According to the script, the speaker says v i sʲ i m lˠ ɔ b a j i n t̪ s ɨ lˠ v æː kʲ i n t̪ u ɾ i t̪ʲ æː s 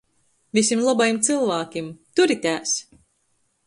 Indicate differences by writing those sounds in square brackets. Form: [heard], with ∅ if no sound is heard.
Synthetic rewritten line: v i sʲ i m lˠ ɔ b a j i [m] t̪ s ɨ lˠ v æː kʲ i [m] t̪ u ɾ i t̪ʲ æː s